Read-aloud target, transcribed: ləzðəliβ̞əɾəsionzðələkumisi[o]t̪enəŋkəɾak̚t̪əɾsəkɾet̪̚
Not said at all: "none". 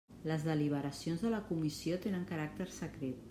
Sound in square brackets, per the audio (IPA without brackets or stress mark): o